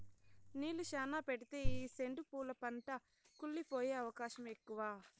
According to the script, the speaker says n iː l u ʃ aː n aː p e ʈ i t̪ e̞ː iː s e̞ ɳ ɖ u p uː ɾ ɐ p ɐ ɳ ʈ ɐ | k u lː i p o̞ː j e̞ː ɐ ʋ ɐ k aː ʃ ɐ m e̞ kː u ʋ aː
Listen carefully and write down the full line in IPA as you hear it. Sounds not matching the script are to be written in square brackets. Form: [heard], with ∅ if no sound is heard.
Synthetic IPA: n iː l u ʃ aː n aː p e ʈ i t̪ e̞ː iː s e̞ ɳ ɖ u p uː [l] ɐ p ɐ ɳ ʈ ɐ | k u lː i p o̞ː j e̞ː ɐ ʋ ɐ k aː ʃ ɐ m e̞ kː u ʋ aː